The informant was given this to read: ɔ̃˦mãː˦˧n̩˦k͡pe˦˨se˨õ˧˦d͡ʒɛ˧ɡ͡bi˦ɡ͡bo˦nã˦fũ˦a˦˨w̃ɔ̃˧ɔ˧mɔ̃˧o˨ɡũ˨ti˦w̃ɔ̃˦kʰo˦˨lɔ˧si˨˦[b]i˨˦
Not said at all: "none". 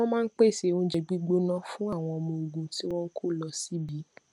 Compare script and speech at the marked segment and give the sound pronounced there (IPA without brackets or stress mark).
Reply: b